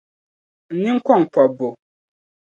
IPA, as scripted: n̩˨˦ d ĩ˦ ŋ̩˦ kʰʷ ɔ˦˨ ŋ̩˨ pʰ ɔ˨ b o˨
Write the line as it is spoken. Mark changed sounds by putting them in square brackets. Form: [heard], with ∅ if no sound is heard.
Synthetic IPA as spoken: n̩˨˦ [n] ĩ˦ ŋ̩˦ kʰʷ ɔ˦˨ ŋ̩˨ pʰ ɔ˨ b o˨